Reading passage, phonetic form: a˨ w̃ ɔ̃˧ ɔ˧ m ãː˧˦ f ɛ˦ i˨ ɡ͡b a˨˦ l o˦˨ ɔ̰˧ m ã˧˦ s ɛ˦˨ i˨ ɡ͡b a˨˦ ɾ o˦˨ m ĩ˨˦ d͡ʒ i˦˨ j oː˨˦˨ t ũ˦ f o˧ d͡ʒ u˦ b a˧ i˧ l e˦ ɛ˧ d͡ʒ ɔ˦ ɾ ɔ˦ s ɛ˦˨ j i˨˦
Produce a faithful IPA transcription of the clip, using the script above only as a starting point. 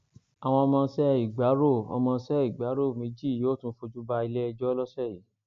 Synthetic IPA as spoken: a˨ w̃ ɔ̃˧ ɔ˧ m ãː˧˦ s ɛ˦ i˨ ɡ͡b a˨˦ ɾ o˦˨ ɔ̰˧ m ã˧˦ s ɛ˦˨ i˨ ɡ͡b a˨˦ ɾ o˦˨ m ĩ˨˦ d͡ʒ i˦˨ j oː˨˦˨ t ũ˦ f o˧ d͡ʒ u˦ b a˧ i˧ l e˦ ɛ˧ d͡ʒ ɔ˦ l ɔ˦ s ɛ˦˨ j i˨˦